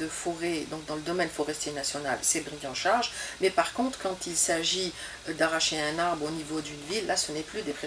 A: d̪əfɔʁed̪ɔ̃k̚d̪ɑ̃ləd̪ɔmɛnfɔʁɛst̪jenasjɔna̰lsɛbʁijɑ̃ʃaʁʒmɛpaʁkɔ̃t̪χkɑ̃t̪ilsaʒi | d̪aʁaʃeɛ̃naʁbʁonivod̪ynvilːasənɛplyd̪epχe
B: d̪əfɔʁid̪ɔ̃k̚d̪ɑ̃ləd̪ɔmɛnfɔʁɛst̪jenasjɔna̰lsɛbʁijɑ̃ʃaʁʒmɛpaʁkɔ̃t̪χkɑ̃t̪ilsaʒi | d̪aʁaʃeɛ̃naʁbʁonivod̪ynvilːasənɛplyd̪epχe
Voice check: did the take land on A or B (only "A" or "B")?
A